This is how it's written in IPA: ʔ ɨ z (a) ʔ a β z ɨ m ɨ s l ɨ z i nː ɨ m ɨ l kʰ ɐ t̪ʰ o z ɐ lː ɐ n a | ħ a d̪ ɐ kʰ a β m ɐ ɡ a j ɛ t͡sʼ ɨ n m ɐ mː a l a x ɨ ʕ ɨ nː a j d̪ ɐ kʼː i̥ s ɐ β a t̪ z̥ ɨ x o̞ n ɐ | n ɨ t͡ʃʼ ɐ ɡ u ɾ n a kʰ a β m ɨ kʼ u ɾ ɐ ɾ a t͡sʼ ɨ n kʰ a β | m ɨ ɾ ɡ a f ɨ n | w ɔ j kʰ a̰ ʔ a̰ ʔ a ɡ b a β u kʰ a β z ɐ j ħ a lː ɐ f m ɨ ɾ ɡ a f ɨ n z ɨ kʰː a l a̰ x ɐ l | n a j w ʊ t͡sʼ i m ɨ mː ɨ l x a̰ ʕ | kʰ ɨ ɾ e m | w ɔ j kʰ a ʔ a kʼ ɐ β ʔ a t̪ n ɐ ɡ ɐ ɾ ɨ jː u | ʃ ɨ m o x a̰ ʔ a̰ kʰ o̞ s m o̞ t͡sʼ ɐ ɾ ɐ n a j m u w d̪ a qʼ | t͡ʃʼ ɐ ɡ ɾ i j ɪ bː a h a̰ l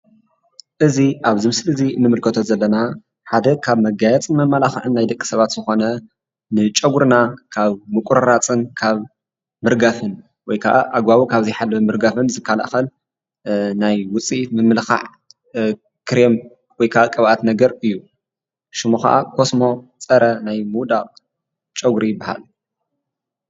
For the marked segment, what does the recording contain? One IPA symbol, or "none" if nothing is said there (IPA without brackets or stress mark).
i